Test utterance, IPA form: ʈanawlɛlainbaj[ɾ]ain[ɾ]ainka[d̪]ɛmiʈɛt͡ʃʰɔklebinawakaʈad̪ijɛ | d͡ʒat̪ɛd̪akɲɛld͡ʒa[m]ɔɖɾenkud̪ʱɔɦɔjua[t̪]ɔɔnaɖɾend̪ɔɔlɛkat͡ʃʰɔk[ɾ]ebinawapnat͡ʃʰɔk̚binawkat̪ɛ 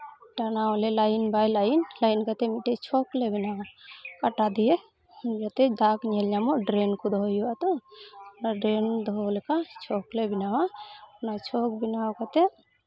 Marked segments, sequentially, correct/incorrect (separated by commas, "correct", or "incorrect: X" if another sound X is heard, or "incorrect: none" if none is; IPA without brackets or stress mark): incorrect: l, incorrect: l, incorrect: t̪, correct, correct, incorrect: l